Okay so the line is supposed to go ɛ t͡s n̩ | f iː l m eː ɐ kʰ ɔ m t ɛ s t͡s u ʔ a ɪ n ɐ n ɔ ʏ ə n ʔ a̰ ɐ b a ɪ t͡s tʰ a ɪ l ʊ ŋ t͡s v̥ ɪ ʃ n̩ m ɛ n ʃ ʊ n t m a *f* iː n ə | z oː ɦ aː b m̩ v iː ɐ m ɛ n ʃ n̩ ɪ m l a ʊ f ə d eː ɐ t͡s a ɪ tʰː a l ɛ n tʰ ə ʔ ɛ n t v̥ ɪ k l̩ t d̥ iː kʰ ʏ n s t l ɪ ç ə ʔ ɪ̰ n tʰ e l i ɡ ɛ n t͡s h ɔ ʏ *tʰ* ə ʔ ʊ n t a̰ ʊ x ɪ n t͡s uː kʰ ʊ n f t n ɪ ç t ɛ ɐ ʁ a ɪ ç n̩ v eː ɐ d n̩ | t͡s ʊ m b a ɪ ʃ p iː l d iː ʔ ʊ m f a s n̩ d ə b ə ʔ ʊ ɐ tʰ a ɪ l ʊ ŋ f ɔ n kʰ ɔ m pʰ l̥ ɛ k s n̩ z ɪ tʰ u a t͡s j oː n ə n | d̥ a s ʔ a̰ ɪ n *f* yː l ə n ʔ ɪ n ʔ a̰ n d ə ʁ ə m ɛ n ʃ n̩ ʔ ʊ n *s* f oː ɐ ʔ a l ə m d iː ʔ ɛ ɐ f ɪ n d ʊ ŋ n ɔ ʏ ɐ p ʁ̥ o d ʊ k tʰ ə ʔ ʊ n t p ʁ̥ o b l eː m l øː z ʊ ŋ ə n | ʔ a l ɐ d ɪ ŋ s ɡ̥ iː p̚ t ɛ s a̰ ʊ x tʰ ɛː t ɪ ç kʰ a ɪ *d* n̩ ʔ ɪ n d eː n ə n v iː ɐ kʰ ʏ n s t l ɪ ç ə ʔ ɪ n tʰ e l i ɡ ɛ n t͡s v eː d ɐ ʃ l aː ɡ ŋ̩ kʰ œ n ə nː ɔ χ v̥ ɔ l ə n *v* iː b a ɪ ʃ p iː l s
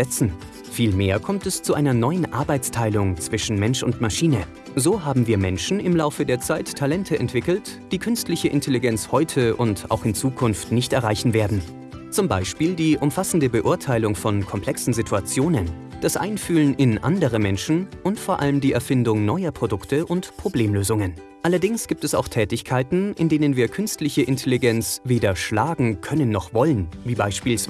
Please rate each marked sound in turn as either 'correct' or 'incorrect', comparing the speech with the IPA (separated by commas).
incorrect, correct, correct, incorrect, incorrect, correct